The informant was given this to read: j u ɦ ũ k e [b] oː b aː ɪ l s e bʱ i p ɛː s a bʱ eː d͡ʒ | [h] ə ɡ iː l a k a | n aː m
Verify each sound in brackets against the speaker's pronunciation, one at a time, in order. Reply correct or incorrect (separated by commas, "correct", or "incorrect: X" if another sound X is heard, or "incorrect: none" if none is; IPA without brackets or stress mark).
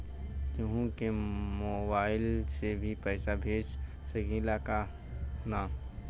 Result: incorrect: m, incorrect: s